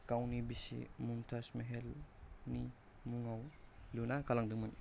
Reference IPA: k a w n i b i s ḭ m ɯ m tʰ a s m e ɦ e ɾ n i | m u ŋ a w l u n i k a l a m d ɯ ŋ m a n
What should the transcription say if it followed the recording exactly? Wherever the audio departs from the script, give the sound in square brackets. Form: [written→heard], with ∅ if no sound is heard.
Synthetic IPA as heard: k a w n i b i s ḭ m [ɯ→u] m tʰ a s m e ɦ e [ɾ→l] n i | m u ŋ a w l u n [i→a] k a l a [m→ŋ] d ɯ ŋ m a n